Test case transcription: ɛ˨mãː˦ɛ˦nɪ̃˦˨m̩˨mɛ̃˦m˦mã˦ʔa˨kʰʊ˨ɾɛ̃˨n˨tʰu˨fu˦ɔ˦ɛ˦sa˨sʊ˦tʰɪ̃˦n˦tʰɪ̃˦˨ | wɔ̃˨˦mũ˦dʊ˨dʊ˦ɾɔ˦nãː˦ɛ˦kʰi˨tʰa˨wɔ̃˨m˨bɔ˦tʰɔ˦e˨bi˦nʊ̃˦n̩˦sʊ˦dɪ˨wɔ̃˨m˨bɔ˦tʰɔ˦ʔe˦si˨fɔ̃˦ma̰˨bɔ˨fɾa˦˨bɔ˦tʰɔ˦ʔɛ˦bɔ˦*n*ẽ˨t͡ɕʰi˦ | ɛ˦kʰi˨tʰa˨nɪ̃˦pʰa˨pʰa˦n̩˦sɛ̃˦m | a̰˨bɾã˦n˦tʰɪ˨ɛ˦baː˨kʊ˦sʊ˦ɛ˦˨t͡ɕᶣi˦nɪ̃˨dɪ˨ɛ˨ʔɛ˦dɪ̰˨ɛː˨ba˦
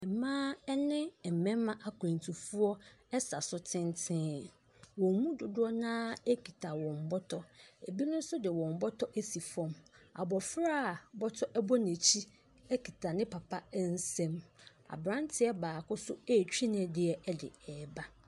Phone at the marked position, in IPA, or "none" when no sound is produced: n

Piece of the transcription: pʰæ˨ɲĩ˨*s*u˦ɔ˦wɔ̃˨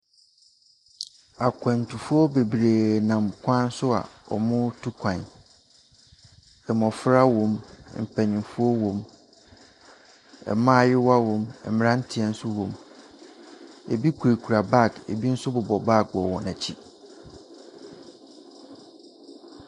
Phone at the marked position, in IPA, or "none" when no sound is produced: f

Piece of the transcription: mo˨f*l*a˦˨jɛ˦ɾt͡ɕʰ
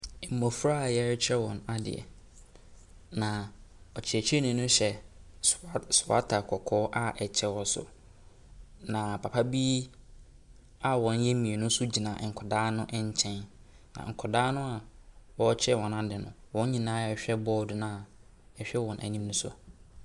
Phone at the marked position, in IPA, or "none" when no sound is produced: ɾ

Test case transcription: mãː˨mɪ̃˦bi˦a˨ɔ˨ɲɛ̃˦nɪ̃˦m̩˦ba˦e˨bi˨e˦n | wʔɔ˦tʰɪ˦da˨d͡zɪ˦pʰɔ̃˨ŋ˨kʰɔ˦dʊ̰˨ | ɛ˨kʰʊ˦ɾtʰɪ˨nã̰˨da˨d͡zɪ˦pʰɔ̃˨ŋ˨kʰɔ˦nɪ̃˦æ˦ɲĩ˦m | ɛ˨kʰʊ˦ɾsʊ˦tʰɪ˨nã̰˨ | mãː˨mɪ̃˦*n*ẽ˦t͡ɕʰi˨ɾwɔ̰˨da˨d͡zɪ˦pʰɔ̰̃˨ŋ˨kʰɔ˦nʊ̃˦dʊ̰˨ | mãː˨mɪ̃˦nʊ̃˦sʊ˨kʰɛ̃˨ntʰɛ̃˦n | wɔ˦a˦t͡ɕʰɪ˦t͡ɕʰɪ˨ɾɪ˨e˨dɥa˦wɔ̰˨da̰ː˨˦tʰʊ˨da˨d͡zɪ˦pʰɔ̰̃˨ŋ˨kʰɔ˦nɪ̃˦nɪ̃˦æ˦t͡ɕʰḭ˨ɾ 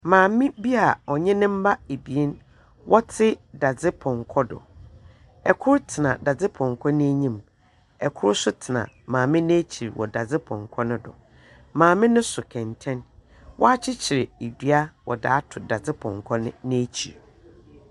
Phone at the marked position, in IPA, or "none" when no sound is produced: n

